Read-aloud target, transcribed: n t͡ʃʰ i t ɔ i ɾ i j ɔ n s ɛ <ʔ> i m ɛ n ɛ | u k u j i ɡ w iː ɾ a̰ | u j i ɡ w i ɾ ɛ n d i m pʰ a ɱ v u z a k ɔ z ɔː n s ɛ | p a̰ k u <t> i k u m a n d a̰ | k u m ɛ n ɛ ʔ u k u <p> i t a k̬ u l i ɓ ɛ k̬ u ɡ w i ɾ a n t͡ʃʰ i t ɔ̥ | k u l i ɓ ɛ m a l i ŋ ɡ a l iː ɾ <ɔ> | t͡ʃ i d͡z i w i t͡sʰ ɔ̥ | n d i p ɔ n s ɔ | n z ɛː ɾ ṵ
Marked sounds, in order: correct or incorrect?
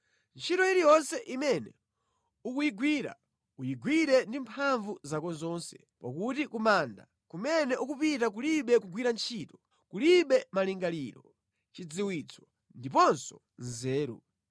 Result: correct, correct, correct, correct

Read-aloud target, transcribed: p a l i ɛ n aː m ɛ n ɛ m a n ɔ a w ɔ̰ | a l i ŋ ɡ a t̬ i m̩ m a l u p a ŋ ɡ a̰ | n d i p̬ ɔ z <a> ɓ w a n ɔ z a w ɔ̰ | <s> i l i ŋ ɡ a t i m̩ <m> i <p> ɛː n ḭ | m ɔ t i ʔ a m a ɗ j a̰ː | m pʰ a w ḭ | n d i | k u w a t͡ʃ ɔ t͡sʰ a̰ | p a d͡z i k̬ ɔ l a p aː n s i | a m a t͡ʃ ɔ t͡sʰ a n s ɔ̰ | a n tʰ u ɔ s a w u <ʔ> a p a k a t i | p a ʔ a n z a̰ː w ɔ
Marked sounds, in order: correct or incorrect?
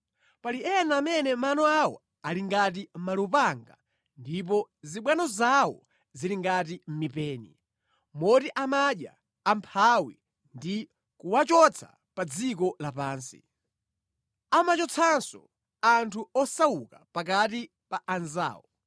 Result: incorrect, incorrect, correct, correct, incorrect

